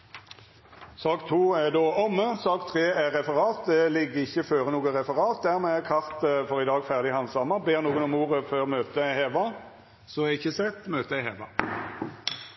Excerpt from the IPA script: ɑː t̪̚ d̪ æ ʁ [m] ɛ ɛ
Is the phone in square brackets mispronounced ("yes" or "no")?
no